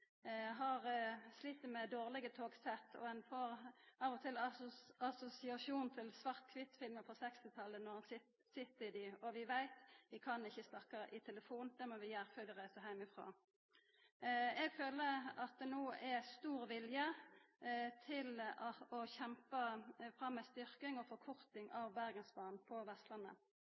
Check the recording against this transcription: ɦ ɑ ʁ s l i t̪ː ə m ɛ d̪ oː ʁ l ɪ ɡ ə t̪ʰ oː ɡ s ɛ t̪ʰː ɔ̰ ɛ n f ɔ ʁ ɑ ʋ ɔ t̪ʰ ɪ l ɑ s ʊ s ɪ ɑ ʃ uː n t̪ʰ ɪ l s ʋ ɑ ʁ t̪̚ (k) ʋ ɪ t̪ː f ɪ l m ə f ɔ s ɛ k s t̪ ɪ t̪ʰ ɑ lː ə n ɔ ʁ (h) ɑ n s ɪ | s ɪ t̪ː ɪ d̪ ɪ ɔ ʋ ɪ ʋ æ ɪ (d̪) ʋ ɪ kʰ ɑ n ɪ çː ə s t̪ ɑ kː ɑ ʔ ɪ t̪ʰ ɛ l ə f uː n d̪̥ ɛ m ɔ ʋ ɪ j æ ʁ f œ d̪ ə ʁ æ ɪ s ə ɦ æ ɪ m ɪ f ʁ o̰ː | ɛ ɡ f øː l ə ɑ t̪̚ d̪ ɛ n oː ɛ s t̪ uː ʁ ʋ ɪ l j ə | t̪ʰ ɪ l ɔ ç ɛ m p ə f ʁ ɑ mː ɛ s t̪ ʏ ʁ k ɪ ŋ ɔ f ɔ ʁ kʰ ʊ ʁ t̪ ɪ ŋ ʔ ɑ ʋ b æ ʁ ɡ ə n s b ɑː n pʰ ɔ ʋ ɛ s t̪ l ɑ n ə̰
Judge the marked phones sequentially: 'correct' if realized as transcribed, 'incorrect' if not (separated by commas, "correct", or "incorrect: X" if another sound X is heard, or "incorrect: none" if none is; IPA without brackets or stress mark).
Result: incorrect: kʰ, correct, incorrect: t̪